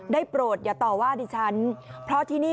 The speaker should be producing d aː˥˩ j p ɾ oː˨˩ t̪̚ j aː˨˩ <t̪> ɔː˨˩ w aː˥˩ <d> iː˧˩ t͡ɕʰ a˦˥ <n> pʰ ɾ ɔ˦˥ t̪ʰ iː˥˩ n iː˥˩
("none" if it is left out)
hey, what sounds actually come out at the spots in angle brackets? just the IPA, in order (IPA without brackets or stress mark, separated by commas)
t̪, d, n